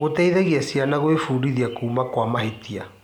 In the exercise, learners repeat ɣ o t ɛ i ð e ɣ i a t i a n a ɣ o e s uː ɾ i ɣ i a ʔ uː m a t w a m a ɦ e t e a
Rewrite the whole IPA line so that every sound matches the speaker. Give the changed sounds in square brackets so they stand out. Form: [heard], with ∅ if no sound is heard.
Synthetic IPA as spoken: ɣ o t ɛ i ð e ɣ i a [s] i a n a ɣ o e [f] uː ɾ i [ð] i a [k] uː m a [k] w a m a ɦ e t [i] a